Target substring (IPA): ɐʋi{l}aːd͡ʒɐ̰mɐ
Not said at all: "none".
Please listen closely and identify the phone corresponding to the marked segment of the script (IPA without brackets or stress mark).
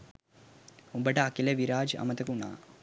ɾ